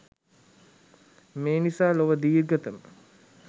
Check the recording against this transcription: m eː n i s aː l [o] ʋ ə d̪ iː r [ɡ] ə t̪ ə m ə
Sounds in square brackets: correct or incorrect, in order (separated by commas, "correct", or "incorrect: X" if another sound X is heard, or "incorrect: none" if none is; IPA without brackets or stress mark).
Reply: correct, correct